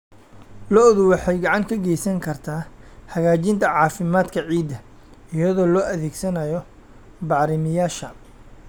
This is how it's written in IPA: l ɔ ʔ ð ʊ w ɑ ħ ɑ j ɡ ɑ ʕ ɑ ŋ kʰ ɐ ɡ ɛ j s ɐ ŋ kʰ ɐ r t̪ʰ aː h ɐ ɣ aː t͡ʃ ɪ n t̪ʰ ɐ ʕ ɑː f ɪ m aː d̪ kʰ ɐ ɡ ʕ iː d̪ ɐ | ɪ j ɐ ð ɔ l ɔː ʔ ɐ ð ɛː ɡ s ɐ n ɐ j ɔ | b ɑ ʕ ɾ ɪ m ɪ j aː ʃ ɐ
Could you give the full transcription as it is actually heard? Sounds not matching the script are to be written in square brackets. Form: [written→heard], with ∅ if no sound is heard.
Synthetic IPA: l ɔ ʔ ð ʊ w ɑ ħ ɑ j ɡ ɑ ʕ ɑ ŋ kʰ ɐ ɡ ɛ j s ɐ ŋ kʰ ɐ r t̪ʰ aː h ɐ ɣ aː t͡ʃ ɪ n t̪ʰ ɐ ʕ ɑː f ɪ m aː d̪ kʰ ɐ [ɡ→∅] ʕ iː d̪ ɐ | ɪ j ɐ ð [ɔ→ɔː] l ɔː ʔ ɐ ð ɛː ɡ s ɐ n ɐ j ɔ | b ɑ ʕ ɾ ɪ m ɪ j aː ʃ ɐ